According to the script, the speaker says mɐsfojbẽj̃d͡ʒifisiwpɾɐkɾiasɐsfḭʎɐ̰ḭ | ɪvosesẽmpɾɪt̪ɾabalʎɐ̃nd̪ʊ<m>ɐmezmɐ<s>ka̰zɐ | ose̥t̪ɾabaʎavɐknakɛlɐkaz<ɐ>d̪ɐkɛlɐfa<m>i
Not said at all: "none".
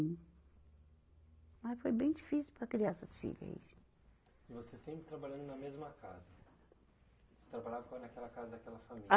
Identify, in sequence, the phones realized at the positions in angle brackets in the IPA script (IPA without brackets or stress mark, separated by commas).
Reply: n, none, ɐ, m